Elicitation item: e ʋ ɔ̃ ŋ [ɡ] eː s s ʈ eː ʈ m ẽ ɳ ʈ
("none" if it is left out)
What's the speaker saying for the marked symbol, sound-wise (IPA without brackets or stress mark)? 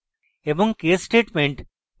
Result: k